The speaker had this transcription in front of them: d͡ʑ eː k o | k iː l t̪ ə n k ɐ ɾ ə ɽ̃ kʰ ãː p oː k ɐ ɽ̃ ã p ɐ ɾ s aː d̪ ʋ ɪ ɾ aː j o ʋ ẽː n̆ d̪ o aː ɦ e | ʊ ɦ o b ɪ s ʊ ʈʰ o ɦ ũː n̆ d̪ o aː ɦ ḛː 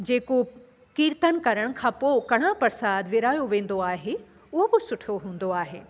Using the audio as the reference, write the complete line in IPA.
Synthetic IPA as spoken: d͡ʑ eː k o | k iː ɾ t̪ ə n k ɐ ɾ ə ɽ̃ kʰ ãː p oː k ɐ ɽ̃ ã p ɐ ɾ s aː d̪ ʋ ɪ ɾ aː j o ʋ ẽː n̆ d̪ o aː ɦ e | ʊ ɦ o b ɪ s ʊ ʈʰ o ɦ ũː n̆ d̪ o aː ɦ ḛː